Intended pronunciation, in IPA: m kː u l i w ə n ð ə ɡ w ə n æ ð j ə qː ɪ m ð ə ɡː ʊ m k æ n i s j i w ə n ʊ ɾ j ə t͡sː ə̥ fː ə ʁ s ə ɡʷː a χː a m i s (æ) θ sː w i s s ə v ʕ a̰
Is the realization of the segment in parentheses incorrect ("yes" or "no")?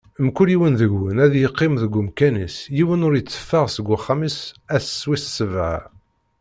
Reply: no